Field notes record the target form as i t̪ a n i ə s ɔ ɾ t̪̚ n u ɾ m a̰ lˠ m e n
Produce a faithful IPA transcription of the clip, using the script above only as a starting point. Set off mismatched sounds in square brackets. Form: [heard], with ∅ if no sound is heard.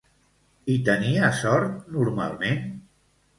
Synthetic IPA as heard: i t̪ [ə] n i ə s ɔ ɾ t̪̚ n u ɾ m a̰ lˠ m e n